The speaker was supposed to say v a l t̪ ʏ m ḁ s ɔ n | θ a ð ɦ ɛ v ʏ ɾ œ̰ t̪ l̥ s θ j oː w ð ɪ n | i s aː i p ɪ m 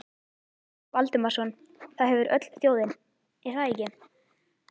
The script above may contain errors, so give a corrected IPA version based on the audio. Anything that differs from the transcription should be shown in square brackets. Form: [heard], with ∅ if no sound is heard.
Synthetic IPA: v a l t̪ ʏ m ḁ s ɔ n | θ a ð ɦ ɛ v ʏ ɾ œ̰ t̪ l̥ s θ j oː w ð ɪ n | i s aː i [c] ɪ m